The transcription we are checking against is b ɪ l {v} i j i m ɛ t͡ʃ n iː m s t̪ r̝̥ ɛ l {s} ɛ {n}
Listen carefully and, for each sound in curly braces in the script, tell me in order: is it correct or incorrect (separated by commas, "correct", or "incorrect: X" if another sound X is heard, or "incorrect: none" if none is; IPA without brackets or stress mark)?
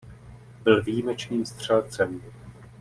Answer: correct, incorrect: t͡s, incorrect: m